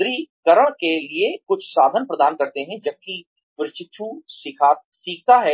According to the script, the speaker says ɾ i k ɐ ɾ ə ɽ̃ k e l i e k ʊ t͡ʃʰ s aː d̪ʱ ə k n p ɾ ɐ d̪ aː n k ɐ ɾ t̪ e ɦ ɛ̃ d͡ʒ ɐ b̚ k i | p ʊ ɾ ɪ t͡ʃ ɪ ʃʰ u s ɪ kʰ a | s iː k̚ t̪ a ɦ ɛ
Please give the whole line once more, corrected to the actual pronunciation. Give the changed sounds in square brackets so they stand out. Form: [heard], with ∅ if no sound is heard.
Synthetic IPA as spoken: ɾ i k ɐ ɾ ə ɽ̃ k e l i e k ʊ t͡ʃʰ s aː d̪ʱ ə [∅] n p ɾ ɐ d̪ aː n k ɐ ɾ t̪ e ɦ ɛ̃ d͡ʒ ɐ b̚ k i | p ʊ ɾ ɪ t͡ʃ ɪ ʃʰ u s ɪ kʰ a | s iː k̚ t̪ a ɦ ɛ